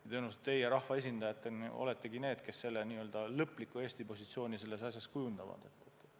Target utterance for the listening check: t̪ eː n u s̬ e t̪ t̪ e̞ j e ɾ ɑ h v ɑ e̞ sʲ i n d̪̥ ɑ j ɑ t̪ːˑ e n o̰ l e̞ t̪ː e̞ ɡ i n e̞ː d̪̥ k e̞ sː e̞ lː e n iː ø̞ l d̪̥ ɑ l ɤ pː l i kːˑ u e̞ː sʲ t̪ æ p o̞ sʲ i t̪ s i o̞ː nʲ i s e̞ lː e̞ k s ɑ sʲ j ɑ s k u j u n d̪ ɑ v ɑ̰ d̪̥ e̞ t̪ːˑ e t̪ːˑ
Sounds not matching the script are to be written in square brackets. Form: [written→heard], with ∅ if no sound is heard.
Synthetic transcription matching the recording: t̪ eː n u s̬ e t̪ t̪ e̞ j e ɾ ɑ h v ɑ e̞ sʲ i n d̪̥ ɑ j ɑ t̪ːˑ e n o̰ l e̞ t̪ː e̞ ɡ i n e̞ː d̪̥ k e̞ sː e̞ lː e n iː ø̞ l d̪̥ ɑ l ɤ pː l i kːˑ u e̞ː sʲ t̪ [æ→i] p o̞ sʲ i t̪ s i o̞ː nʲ i s e̞ lː e̞ [k→∅] s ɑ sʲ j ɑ s k u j u n d̪ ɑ v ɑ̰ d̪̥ e̞ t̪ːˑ e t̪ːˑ

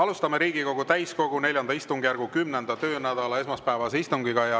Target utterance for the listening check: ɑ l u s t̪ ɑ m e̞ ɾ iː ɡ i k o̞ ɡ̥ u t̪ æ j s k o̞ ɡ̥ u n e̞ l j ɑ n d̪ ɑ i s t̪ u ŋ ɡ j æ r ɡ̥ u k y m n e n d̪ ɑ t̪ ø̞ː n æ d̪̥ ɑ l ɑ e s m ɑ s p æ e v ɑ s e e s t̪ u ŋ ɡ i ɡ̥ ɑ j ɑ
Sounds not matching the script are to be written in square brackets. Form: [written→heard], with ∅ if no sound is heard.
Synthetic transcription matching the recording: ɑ l u s t̪ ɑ m e̞ ɾ iː ɡ i k o̞ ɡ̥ u t̪ æ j s k o̞ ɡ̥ u n e̞ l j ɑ n d̪ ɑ i s t̪ u ŋ ɡ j æ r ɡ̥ u k y m n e n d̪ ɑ t̪ ø̞ː n æ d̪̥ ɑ l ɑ e s m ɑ s p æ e v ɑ s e [e→i] s t̪ u ŋ ɡ i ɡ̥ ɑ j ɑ

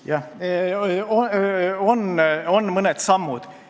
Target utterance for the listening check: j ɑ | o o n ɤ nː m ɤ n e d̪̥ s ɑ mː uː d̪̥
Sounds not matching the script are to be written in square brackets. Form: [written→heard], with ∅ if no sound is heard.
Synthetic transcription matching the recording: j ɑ | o o n [ɤ→o] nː m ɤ n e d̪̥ s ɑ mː [uː→u] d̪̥

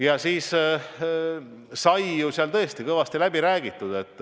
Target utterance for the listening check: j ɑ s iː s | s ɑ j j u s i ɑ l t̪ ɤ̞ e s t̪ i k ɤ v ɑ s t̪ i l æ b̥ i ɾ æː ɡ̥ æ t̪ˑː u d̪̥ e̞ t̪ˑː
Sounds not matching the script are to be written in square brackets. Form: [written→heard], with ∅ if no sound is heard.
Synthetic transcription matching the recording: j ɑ s iː s | s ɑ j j u s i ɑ l t̪ ɤ̞ e s t̪ i k ɤ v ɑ s t̪ i l æ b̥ i ɾ æː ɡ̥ [æ→i] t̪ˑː u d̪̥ e̞ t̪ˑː

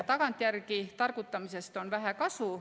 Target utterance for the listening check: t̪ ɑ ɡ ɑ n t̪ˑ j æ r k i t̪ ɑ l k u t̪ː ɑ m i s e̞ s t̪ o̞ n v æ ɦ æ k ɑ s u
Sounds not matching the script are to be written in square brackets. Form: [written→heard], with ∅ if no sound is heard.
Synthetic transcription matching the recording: t̪ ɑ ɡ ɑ n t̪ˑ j æ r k i t̪ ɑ [l→r] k u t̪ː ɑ m i s e̞ s t̪ o̞ n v æ ɦ æ k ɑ s u

